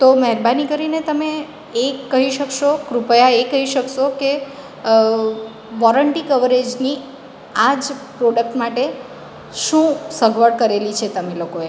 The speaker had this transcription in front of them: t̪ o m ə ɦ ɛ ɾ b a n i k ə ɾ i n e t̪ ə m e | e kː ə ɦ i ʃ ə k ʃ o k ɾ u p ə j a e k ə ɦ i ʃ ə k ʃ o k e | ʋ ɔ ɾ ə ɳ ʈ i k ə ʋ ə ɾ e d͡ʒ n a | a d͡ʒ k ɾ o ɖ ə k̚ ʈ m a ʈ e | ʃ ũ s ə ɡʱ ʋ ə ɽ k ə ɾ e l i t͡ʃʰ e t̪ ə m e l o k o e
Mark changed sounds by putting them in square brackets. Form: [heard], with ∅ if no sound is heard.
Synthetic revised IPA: t̪ o m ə ɦ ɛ ɾ b a n i k ə ɾ i n e t̪ ə m e | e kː ə ɦ i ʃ ə k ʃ o k ɾ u p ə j a e k ə ɦ i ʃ ə k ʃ o k e | ʋ ɔ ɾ ə ɳ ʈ i k ə ʋ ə ɾ e d͡ʒ n [i] | a d͡ʒ [p] ɾ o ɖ ə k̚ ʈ m a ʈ e | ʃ ũ s ə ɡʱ ʋ ə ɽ k ə ɾ e l i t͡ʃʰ e t̪ ə m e l o k o e

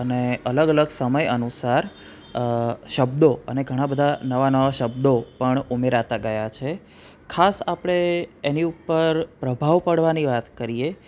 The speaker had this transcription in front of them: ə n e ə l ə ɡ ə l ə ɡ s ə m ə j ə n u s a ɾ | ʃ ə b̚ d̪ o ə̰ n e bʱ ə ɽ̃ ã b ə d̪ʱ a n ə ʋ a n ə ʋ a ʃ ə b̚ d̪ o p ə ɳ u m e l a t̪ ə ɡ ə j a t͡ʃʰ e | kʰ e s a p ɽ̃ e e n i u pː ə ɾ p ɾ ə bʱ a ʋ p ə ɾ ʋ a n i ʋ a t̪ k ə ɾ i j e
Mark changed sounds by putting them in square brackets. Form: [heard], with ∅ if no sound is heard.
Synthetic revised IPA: ə n e ə l ə ɡ ə l ə ɡ s ə m ə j ə n u s a ɾ | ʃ ə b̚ d̪ o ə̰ n e [ɡʱ] ə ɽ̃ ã b ə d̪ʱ a n ə ʋ a n ə ʋ a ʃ ə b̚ d̪ o p ə ɳ u m e [ɾ] a t̪ [a] ɡ ə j a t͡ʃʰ e | kʰ [a] s a p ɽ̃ e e n i u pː ə ɾ p ɾ ə bʱ a ʋ p ə [ɽ] ʋ a n i ʋ a t̪ k ə ɾ i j e

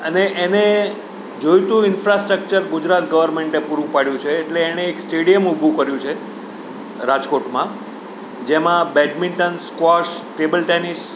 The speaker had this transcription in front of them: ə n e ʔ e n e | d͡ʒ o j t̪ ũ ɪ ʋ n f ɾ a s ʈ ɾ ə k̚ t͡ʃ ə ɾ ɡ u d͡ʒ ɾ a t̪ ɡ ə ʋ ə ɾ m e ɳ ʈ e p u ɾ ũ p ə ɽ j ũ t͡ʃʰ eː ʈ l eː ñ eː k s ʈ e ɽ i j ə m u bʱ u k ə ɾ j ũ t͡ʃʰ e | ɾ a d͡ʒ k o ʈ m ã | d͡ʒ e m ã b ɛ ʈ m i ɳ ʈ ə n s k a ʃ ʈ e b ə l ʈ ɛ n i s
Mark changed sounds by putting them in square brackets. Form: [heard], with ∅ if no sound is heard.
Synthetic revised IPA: ə n e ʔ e n e | d͡ʒ o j t̪ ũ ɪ [∅] n f ɾ a s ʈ ɾ ə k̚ t͡ʃ ə ɾ ɡ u d͡ʒ ɾ a t̪ ɡ ə ʋ ə ɾ m e ɳ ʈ e p u ɾ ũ p [a] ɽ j ũ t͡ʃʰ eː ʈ l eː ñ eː k s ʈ e ɽ i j ə m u bʱ u k ə ɾ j ũ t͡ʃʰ e | ɾ a d͡ʒ k o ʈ m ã | d͡ʒ e m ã b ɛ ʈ m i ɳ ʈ ə n s k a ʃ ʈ e b ə l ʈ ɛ n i s

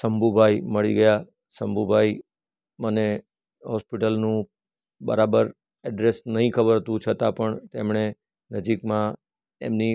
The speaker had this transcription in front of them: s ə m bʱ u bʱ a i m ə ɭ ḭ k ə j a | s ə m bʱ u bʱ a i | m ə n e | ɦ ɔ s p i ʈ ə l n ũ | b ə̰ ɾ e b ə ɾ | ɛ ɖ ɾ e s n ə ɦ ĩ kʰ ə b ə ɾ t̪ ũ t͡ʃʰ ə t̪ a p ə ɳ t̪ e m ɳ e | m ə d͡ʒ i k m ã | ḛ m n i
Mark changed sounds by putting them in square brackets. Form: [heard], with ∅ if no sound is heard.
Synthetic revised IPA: s ə m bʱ u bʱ a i m ə ɭ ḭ [ɡ] ə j a | s ə m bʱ u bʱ a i | m ə n e | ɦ ɔ s p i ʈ ə l n ũ | b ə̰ ɾ [a] b ə ɾ | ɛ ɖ ɾ e s n ə ɦ ĩ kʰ ə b ə ɾ t̪ ũ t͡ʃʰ ə t̪ a p ə ɳ t̪ e m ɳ e | [n] ə d͡ʒ i k m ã | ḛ m n i

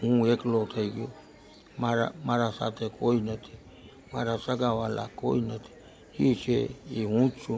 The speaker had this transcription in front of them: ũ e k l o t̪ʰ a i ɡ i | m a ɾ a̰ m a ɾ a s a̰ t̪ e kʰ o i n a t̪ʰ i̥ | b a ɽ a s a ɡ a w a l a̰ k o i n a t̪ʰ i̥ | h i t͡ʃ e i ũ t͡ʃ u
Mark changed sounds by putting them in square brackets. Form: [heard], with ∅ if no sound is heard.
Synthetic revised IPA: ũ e k l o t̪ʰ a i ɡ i | m a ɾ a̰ m a ɾ a s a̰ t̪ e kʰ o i n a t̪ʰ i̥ | [m] a [ɾ] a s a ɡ a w a l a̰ k o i n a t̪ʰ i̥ | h i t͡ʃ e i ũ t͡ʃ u

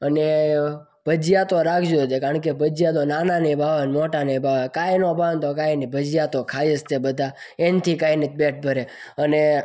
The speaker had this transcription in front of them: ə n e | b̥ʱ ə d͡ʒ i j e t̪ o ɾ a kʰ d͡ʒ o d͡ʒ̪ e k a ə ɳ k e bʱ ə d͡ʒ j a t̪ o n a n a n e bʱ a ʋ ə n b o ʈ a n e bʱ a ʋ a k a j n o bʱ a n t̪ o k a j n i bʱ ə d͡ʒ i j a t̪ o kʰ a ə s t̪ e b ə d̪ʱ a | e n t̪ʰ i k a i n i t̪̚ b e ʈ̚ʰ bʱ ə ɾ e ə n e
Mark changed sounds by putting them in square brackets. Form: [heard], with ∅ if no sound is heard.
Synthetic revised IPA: ə n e | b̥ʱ ə d͡ʒ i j [a] t̪ o ɾ a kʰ d͡ʒ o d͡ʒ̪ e k a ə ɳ k e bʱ ə d͡ʒ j a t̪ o n a n a n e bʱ a ʋ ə n [m] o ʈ a n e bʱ a ʋ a k a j n o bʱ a n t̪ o k a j n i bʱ ə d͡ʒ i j a t̪ o kʰ a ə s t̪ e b ə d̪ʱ a | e n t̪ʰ i k a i n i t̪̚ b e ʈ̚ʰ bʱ ə ɾ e ə n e

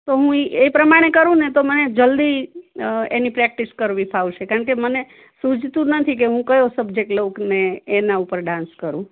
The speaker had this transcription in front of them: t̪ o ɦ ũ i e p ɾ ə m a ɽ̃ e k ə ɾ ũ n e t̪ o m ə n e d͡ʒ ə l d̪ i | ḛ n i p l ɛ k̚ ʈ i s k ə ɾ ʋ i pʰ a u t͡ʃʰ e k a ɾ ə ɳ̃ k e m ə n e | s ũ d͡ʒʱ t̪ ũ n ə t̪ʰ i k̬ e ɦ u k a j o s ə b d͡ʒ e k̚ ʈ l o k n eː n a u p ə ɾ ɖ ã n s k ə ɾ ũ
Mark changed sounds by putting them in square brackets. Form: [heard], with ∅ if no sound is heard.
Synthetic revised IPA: t̪ o ɦ ũ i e p ɾ ə m a ɽ̃ e k ə ɾ ũ n e t̪ o m ə n e d͡ʒ ə l d̪ i | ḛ n i p [ɾ] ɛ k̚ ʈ i s k ə ɾ ʋ i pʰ a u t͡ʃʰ e k a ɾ ə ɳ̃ k e m ə n e | s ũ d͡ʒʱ t̪ ũ n ə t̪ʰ i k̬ e ɦ [ũ] k [ə] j o s ə b d͡ʒ e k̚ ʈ l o k n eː n a u p ə ɾ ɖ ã n s k ə ɾ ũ

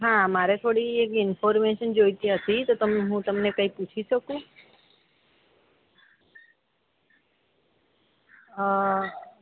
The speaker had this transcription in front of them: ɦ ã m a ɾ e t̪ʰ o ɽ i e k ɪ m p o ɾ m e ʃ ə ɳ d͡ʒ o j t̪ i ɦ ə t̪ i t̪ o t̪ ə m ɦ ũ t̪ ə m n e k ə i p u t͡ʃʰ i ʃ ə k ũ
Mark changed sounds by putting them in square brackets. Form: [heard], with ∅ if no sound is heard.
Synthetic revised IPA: ɦ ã m a ɾ e t̪ʰ o ɽ i e k ɪ [n] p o ɾ m e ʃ ə [n] d͡ʒ o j t̪ i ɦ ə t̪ i t̪ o t̪ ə m ɦ ũ t̪ ə m n e k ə i p u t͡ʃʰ i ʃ ə k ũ

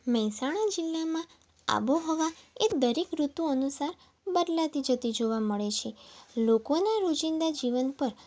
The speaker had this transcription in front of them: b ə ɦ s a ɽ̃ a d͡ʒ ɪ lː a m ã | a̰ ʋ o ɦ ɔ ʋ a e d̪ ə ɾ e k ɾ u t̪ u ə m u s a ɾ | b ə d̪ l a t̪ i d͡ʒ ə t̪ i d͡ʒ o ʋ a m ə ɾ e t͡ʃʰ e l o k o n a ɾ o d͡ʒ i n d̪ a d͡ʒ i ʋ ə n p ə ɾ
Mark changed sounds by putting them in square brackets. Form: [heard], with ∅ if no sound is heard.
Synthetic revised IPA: [m] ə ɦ s a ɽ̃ a d͡ʒ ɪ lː a m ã | a̰ ʋ o ɦ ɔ ʋ a e d̪ ə ɾ e k ɾ u t̪ u ə [n] u s a ɾ | b ə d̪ l a t̪ i d͡ʒ ə t̪ i d͡ʒ o ʋ a m ə [ɭ] e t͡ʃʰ e l o k o n a ɾ o d͡ʒ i n d̪ a d͡ʒ i ʋ ə n p ə ɾ

